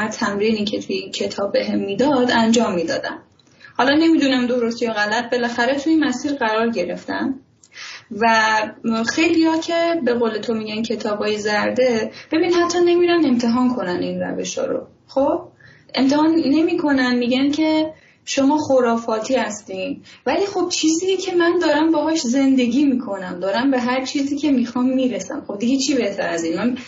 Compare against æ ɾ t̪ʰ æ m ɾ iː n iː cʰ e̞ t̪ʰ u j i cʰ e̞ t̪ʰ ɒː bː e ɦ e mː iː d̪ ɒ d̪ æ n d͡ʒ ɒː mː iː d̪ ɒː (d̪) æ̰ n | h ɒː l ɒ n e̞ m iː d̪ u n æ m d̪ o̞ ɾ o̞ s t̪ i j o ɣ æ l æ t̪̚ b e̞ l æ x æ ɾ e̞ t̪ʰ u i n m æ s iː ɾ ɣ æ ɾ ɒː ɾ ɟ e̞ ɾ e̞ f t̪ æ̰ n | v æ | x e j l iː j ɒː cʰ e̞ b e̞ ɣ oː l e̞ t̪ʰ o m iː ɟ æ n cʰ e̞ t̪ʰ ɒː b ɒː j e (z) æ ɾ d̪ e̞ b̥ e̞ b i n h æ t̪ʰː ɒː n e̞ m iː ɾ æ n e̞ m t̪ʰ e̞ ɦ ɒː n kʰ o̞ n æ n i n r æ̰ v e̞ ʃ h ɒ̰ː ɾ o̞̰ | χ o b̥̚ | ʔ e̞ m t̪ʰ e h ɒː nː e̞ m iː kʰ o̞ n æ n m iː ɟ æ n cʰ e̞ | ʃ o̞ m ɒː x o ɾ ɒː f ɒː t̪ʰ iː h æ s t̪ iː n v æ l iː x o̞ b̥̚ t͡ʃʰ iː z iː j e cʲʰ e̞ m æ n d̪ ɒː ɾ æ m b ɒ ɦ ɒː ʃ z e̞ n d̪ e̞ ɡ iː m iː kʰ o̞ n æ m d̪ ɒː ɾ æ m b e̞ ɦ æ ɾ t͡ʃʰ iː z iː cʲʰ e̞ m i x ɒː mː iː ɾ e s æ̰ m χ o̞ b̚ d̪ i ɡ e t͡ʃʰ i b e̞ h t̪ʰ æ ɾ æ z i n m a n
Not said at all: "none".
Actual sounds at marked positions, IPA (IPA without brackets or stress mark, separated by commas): d̪, z